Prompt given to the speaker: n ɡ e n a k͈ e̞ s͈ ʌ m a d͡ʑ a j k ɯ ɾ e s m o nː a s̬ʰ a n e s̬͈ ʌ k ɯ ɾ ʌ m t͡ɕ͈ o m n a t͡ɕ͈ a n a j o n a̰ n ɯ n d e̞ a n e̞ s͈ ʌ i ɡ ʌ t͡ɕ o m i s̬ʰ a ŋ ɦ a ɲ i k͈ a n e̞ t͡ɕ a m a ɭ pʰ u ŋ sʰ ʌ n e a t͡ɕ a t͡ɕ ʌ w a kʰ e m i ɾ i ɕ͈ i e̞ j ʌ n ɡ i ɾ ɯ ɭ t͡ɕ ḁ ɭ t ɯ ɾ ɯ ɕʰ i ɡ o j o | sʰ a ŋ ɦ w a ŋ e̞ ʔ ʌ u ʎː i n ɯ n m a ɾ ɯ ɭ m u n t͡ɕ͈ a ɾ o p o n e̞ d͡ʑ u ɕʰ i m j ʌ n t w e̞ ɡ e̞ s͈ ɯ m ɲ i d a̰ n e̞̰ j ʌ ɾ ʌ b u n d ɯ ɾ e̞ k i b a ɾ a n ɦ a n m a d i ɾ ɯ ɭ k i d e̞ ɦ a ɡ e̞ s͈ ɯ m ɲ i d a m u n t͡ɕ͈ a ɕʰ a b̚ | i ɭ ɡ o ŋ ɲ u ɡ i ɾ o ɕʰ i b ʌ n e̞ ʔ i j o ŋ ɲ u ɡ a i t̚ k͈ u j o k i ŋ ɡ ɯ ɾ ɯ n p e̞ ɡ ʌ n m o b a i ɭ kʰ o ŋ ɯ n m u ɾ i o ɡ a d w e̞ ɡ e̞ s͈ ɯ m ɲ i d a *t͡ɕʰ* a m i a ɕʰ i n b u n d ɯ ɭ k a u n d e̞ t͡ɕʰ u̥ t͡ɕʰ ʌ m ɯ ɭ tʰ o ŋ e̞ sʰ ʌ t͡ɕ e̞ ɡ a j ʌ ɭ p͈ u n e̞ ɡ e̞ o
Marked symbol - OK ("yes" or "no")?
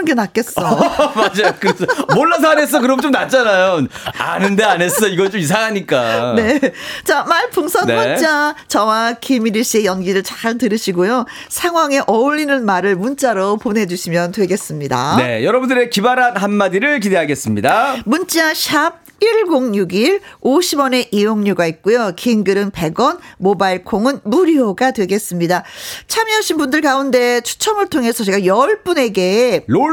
yes